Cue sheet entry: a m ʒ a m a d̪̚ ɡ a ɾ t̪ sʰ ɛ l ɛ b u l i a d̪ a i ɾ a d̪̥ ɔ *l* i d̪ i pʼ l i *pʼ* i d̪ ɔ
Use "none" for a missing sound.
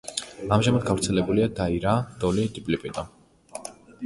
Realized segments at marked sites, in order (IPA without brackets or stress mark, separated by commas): l, pʼ